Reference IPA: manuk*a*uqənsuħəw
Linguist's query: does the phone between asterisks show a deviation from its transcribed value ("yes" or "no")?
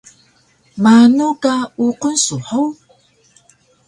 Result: no